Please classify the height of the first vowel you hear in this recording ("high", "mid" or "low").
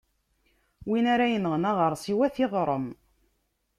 high